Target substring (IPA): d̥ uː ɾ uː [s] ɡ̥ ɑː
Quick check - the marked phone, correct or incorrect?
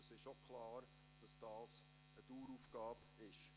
incorrect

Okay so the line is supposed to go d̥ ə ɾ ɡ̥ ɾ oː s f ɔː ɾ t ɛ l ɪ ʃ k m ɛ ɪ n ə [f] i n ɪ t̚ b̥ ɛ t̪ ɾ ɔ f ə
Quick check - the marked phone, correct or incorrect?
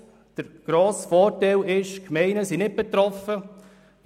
incorrect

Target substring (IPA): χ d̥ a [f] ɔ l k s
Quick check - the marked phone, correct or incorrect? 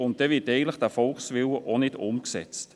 correct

